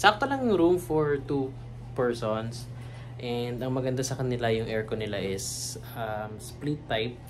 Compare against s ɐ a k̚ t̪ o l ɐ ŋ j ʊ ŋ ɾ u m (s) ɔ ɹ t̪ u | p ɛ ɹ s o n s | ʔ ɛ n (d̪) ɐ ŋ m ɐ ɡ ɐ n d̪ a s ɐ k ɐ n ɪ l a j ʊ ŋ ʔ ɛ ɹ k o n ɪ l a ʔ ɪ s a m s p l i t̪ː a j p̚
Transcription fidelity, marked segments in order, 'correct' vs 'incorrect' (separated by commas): incorrect, correct